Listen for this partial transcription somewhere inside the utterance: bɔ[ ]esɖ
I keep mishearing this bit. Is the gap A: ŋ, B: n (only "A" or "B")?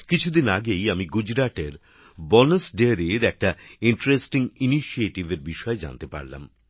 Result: B